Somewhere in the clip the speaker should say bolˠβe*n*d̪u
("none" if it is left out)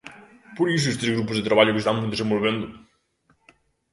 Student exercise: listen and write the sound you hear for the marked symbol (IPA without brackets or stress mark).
n